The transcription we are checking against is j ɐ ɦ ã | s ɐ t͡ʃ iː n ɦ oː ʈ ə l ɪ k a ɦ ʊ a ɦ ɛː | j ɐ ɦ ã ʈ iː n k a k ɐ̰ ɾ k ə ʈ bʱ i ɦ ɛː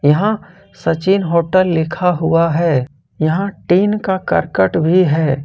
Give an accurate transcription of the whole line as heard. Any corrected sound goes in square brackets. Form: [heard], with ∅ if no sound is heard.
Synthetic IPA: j ɐ ɦ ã | s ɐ t͡ʃ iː n ɦ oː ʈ ə [lː] ɪ [kʰ] a ɦ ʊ a ɦ ɛː | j ɐ ɦ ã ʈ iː n k a k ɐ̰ ɾ k ə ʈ bʱ i ɦ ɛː